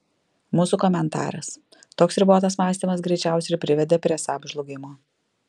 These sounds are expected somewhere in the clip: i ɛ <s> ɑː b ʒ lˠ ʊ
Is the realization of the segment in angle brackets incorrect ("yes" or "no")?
no